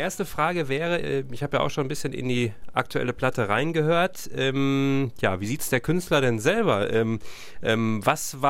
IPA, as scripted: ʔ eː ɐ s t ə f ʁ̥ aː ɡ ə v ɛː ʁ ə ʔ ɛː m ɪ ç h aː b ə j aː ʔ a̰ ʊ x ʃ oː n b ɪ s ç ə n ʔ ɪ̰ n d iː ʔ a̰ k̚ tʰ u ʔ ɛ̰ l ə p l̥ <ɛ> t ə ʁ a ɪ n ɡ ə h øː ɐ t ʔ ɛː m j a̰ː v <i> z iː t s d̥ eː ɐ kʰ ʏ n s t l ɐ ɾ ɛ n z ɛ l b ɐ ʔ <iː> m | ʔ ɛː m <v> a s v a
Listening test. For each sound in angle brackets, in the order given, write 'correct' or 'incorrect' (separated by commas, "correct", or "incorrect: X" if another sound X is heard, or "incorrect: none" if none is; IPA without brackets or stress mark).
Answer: incorrect: a, incorrect: iː, incorrect: ɛː, correct